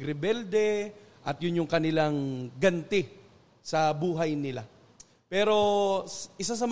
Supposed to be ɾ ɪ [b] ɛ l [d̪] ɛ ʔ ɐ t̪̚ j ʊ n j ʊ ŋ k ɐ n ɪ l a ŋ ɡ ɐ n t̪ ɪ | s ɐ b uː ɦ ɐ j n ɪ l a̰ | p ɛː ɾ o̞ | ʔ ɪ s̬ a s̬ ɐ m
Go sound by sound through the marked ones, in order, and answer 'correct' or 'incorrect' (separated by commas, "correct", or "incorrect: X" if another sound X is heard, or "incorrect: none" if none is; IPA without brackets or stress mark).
correct, correct